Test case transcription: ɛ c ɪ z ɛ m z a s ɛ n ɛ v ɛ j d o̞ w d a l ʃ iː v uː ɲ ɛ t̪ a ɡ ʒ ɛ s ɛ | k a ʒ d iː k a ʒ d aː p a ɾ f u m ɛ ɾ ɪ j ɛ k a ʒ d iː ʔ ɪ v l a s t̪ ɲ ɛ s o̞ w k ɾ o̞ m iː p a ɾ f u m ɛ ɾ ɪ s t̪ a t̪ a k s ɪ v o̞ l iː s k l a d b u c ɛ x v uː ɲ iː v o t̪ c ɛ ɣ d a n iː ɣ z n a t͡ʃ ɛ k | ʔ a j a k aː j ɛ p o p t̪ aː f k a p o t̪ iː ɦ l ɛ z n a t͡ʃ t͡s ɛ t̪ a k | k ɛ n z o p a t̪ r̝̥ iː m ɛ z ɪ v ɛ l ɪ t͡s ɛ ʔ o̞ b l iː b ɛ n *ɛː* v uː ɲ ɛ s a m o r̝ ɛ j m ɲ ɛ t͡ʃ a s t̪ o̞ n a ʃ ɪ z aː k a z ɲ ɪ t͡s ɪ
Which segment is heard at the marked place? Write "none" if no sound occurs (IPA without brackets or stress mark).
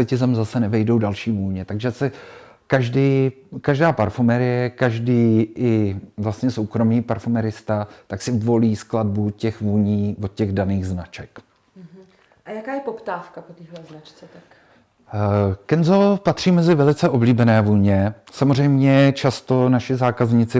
ɛː